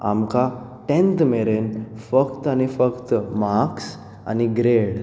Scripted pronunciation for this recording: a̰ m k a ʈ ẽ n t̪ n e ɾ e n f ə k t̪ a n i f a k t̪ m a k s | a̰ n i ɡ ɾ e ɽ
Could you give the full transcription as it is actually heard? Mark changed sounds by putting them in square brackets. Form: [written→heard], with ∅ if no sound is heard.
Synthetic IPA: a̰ m k a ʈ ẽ n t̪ [n→m] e ɾ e n f ə k t̪ a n i f [a→ə] k t̪ m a k s | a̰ n i ɡ ɾ e ɽ